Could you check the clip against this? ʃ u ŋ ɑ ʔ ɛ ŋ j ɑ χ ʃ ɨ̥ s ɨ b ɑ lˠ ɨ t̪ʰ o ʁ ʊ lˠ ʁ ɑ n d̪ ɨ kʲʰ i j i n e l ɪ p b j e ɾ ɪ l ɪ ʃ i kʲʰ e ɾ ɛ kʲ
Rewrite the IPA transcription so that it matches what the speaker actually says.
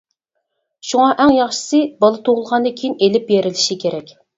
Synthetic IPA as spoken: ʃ u ŋ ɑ ʔ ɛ ŋ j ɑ χ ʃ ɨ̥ s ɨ b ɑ lˠ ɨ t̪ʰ o ʁ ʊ lˠ ʁ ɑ n d̪ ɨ kʲʰ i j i n e l ɪ p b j e ɾ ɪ l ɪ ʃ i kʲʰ e ɾ ɛ kʲ